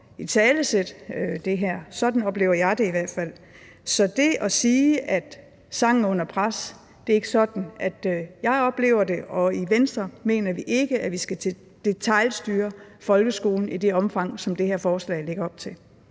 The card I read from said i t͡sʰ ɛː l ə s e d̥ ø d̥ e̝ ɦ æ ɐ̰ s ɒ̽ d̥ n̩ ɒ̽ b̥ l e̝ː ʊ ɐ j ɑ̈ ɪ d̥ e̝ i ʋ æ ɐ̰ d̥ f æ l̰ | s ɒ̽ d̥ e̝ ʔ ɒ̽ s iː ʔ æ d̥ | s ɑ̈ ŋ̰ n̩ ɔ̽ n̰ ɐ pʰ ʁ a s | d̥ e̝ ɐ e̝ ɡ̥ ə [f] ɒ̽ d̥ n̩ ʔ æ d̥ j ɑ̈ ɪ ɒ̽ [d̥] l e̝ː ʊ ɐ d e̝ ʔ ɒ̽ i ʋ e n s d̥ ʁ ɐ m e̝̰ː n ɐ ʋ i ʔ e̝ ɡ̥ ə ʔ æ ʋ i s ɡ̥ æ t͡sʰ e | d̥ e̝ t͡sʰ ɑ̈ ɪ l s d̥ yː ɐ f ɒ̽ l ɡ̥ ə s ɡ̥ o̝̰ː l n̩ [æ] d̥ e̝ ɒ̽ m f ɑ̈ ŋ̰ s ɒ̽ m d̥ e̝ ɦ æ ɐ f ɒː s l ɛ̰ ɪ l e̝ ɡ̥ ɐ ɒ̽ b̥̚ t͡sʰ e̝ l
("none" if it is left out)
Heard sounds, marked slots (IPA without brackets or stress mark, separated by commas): s, b̥, i